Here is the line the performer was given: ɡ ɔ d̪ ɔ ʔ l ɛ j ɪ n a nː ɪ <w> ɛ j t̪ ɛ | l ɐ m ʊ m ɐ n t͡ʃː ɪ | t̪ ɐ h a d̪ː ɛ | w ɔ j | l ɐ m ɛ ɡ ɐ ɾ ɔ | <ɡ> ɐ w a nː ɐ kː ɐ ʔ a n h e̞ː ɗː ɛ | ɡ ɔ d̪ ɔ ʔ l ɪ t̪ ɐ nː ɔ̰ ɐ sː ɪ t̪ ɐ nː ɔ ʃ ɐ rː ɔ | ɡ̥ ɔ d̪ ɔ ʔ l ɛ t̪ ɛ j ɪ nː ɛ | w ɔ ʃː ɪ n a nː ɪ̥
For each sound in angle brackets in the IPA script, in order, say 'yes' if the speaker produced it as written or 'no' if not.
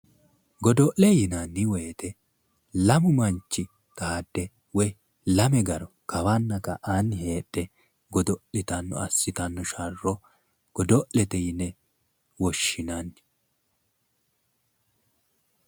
yes, no

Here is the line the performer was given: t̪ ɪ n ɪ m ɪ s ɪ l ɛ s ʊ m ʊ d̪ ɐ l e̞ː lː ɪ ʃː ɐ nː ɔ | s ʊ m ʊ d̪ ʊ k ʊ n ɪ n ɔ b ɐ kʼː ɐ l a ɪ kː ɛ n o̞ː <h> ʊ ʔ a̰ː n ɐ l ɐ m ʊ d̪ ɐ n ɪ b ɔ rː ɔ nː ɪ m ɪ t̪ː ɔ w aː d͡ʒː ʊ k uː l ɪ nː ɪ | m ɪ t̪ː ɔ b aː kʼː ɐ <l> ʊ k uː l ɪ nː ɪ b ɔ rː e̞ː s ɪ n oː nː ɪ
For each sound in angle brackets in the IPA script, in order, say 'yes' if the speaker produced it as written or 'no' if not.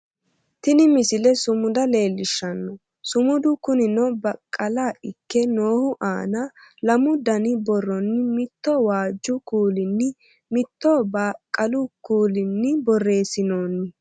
yes, yes

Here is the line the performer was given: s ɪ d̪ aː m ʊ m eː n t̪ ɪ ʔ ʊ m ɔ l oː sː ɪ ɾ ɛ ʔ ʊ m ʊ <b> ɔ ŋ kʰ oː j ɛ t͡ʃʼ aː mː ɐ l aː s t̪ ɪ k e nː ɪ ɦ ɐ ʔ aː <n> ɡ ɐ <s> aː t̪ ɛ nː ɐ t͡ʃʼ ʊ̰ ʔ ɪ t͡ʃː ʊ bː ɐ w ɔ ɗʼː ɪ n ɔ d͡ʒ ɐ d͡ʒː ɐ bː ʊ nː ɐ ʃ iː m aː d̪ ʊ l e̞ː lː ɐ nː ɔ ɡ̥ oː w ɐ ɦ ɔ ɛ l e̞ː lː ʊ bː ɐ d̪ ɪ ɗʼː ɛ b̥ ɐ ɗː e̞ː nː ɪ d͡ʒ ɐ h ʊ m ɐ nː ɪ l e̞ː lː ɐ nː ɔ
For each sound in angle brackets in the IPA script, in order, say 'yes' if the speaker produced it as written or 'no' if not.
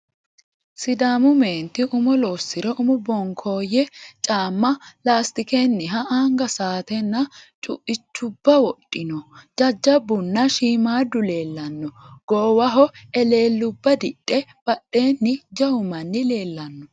yes, no, yes

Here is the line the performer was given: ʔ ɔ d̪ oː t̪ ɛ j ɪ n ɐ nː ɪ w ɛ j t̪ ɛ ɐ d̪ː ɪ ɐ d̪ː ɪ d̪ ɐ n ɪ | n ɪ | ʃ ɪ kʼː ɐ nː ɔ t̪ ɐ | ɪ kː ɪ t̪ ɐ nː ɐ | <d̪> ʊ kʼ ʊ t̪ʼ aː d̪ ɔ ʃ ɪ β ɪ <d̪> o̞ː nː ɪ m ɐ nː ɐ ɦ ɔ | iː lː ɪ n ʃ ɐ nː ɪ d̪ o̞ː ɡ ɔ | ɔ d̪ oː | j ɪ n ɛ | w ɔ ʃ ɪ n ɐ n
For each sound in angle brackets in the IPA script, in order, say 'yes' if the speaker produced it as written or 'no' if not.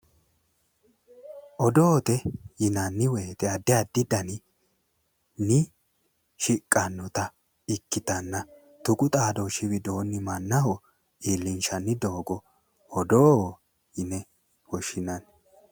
no, yes

